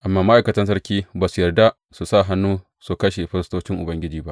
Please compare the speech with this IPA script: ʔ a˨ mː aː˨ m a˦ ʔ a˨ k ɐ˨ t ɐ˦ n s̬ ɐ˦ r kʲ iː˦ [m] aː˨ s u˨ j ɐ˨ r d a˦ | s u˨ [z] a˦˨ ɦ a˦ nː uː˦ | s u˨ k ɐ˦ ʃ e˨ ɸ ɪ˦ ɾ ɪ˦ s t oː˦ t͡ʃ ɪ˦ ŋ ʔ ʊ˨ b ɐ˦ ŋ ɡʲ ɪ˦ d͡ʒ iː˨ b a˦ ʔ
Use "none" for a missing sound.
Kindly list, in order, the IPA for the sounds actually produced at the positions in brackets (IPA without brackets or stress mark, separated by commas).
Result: b, s